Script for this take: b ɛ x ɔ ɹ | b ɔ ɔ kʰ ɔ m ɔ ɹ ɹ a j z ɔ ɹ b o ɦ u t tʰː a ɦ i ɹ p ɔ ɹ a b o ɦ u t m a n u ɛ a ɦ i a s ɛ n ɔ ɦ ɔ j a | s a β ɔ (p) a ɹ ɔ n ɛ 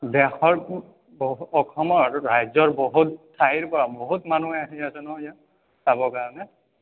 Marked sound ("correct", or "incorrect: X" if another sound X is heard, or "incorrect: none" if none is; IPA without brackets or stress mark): incorrect: k